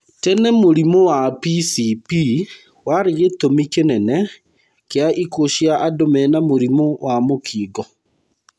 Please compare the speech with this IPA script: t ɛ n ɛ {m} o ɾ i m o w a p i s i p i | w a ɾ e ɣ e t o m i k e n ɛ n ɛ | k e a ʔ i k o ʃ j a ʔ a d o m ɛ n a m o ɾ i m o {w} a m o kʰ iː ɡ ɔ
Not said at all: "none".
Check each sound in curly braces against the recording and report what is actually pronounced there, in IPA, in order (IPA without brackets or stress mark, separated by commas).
m, w